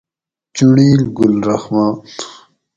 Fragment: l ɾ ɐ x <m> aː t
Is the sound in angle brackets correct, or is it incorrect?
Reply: correct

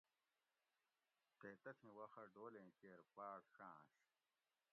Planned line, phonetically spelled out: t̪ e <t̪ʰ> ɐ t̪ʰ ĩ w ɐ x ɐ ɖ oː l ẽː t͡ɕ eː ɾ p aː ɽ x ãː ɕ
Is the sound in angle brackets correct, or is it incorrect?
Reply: incorrect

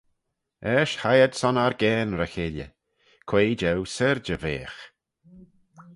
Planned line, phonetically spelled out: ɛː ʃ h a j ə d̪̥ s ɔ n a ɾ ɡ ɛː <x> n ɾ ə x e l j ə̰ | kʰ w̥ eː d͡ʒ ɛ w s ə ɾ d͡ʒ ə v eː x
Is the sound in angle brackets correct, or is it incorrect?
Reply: incorrect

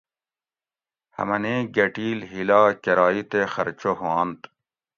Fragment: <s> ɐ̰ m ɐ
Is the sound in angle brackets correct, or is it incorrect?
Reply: incorrect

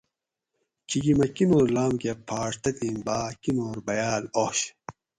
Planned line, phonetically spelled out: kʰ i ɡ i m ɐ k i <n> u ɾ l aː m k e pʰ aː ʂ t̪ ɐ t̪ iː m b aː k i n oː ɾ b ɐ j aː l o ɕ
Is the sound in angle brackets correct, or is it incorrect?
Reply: correct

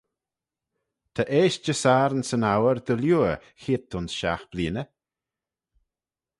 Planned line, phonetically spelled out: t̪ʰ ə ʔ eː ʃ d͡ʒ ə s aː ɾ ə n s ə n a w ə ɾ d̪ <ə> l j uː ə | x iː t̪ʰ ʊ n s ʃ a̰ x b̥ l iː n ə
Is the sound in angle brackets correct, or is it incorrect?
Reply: correct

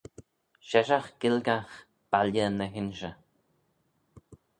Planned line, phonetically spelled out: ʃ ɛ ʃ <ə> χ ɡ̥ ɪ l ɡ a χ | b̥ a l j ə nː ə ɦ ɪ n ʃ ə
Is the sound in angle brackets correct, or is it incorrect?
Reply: incorrect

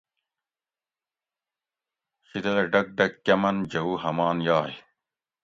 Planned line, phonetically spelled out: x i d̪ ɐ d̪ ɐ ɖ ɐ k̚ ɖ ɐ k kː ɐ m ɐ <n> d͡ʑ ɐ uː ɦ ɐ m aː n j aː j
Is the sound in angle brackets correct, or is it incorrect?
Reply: correct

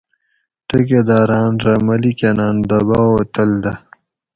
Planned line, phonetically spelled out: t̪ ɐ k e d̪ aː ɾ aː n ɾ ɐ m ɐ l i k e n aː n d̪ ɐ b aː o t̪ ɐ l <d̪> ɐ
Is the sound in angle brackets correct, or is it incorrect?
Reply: correct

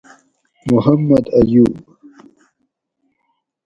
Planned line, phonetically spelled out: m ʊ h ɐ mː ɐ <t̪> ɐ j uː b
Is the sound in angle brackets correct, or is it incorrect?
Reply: incorrect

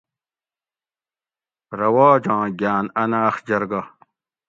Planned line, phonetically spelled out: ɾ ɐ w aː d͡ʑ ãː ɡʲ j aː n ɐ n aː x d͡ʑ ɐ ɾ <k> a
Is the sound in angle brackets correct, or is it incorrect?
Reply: incorrect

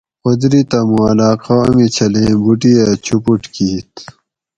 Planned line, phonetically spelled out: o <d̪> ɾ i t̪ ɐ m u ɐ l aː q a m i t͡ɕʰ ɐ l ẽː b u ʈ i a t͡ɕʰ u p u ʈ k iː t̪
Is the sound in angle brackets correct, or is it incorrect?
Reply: correct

